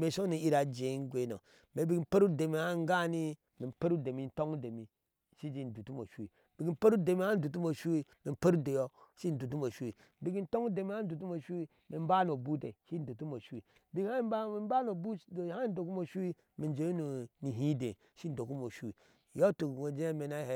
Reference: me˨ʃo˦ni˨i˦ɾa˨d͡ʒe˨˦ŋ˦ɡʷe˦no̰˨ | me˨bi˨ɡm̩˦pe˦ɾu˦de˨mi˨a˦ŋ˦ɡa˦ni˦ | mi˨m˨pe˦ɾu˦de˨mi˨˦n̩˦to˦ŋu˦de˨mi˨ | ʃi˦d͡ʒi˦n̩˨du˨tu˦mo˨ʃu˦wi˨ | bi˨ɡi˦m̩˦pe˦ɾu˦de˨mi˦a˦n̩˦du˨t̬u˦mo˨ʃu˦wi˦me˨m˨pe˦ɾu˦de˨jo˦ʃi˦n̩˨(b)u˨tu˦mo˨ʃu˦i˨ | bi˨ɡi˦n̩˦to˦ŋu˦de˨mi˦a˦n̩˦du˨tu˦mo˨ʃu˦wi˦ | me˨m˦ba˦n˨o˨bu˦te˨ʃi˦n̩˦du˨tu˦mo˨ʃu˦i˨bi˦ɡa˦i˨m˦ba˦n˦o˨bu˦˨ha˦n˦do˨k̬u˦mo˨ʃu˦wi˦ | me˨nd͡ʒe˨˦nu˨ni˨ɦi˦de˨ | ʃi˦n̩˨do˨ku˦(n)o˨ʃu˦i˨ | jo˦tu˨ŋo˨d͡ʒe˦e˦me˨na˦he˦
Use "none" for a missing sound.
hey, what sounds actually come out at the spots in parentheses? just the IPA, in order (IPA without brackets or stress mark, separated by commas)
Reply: d, m